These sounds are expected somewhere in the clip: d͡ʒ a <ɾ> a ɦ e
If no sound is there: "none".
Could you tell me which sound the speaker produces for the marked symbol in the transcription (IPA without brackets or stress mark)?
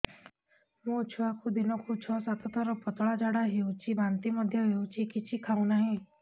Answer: ɽ